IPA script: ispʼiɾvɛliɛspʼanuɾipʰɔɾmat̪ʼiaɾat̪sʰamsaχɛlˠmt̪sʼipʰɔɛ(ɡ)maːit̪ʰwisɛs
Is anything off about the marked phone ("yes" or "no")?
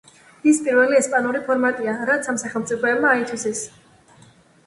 yes